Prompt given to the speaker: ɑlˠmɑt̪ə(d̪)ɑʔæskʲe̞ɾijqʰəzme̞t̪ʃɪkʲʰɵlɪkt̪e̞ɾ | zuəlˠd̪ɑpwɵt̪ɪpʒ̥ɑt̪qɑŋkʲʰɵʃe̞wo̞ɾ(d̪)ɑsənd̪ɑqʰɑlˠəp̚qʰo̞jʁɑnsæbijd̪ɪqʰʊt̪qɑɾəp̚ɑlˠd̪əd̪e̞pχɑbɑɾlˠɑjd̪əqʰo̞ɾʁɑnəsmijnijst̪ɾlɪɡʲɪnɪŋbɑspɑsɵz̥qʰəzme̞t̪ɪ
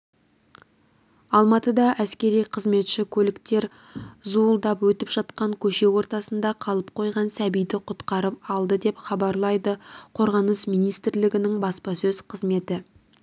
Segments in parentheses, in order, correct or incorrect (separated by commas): correct, incorrect